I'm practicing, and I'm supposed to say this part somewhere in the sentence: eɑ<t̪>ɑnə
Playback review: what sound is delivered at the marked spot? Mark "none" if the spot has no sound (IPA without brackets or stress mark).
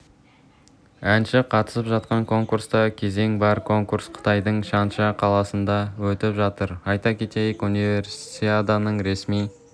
d̪